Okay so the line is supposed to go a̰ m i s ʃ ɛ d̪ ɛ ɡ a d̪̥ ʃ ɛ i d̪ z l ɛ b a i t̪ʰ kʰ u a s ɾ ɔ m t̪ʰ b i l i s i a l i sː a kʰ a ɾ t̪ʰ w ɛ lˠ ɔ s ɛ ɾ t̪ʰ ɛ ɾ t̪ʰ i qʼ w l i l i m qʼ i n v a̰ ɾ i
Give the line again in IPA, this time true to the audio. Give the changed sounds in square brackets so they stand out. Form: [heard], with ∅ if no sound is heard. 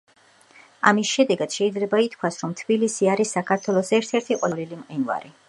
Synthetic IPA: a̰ m i s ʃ ɛ d̪ ɛ ɡ a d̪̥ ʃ ɛ i d̪ z l ɛ b a i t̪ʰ kʰ [w] a s ɾ ɔ m t̪ʰ b i l i s i a [ɾ] i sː a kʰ a ɾ t̪ʰ w ɛ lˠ ɔ s ɛ ɾ t̪ʰ ɛ ɾ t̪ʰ i qʼ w l i l i m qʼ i n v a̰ ɾ i